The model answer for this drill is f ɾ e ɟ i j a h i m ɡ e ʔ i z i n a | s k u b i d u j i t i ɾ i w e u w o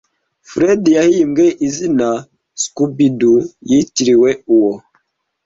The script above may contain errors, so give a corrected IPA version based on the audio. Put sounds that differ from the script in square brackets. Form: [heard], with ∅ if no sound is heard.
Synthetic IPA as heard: f ɾ e [d] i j a h i m ɡ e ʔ i z i n a | s k u b i d u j i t i ɾ i w e u w o